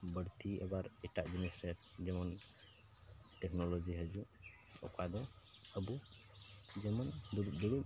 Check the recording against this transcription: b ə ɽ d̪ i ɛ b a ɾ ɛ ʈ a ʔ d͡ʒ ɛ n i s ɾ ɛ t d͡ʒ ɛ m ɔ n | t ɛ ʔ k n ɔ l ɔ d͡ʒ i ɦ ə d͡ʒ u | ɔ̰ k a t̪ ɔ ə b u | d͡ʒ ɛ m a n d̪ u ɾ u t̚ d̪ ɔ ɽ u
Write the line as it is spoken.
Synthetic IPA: b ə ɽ t̪ i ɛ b a ɾ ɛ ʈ a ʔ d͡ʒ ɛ n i s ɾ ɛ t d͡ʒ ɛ m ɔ n | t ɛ k n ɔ l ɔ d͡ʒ i ɦ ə d͡ʒ u | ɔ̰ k a d̪ ɔ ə b u | d͡ʒ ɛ m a n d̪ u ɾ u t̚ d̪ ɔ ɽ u